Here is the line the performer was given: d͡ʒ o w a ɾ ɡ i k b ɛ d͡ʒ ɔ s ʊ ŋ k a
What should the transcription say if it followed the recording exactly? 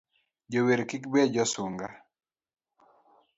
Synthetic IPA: d͡ʒ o w e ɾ k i k b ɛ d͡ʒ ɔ s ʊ ŋ ɡ a